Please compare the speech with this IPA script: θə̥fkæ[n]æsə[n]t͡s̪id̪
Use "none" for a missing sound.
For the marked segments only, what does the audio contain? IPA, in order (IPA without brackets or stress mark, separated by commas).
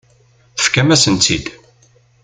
m, n